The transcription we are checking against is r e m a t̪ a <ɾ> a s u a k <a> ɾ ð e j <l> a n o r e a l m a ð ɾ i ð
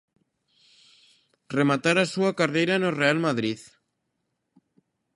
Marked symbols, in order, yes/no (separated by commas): yes, yes, no